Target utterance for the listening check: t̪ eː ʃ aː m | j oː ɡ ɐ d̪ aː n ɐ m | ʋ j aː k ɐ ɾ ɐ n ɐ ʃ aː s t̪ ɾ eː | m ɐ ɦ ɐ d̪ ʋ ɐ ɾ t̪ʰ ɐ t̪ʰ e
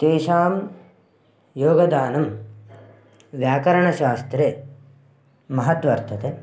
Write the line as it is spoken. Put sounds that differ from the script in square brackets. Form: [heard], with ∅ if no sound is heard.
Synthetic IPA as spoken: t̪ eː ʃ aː m | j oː ɡ ɐ d̪ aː n ɐ m | ʋ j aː k ɐ ɾ ɐ [ɳ] ɐ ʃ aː s t̪ ɾ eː | m ɐ ɦ ɐ [t̪] ʋ ɐ ɾ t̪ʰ ɐ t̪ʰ e